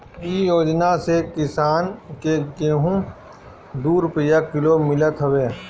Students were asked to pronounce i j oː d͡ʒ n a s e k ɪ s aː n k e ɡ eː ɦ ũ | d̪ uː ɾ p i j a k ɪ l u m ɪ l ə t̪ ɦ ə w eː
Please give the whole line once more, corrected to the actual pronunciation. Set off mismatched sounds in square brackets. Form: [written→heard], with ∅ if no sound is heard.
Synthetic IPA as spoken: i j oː d͡ʒ n a s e k ɪ s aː n k e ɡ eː ɦ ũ | d̪ uː ɾ p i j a k ɪ l [u→o] m ɪ l ə t̪ ɦ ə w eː